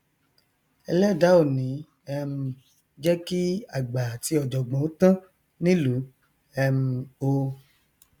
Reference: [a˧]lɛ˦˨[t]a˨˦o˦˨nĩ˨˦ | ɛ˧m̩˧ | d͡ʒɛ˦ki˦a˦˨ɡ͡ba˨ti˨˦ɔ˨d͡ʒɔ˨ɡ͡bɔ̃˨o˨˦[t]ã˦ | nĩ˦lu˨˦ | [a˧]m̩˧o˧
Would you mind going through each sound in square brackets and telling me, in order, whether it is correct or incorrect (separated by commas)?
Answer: incorrect, incorrect, correct, incorrect